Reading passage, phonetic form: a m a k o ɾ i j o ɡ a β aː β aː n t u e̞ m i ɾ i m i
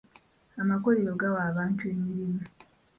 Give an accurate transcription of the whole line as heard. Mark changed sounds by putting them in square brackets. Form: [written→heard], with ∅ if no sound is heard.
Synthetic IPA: a m a k o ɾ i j o ɡ a [β→w] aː β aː n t u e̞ m i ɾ i m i